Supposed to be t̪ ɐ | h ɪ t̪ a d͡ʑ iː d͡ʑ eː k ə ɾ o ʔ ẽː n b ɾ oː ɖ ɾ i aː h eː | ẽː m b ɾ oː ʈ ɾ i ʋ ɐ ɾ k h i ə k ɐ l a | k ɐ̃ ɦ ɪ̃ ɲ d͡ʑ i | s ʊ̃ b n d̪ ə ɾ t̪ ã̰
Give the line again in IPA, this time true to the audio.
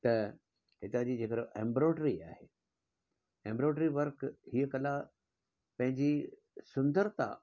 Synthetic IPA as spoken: t̪ ɐ | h ɪ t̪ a d͡ʑ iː d͡ʑ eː k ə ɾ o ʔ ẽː m b ɾ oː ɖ ɾ i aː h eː | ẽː m b ɾ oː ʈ ɾ i ʋ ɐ ɾ k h i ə k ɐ l a | p ɐ̃ ɦ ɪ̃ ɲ d͡ʑ i | s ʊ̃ n d̪ ə ɾ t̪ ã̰